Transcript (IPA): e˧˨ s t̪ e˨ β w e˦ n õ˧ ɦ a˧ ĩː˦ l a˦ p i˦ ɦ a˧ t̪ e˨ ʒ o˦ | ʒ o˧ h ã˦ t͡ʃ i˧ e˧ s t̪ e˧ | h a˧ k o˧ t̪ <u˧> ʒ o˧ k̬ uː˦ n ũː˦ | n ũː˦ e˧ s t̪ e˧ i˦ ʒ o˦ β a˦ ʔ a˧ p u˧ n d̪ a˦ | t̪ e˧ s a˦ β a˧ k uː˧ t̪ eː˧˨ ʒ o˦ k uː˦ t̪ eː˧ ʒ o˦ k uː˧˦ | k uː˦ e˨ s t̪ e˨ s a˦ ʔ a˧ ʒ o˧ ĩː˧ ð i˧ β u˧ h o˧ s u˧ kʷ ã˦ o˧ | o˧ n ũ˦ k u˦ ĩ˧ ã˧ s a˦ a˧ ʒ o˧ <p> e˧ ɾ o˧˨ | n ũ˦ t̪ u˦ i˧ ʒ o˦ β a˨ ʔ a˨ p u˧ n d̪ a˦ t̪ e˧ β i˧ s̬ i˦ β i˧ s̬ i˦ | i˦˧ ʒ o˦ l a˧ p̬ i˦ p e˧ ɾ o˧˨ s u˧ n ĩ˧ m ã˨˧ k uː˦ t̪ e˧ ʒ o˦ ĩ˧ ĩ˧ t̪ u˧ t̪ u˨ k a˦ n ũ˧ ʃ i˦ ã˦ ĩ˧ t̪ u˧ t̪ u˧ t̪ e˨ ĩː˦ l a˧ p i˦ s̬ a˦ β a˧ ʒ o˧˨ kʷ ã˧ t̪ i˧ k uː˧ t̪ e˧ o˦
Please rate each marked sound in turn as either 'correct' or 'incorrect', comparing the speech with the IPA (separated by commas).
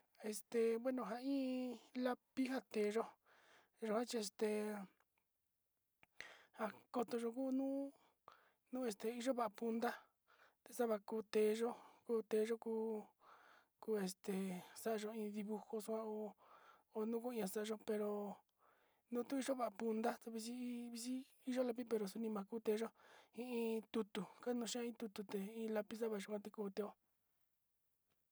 incorrect, correct